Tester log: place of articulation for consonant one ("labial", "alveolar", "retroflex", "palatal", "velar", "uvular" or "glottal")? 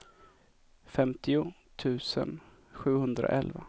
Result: labial